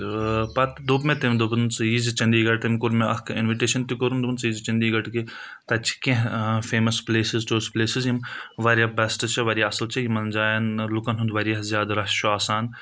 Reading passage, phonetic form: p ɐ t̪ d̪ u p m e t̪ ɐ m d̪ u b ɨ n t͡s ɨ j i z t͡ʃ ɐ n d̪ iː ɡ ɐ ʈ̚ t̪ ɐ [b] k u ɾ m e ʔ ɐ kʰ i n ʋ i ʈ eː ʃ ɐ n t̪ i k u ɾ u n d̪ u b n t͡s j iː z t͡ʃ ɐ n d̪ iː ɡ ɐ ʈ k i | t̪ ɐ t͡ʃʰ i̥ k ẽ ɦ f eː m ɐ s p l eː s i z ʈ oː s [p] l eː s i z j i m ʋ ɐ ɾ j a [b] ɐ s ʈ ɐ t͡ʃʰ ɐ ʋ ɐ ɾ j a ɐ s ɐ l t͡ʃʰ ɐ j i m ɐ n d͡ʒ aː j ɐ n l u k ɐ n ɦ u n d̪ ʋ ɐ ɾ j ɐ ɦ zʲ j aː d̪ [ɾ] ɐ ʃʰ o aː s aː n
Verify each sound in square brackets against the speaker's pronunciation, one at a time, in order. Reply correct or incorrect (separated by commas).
incorrect, correct, correct, correct